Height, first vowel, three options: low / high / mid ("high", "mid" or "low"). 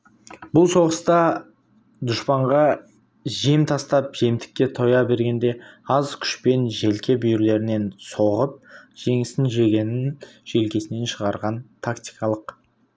high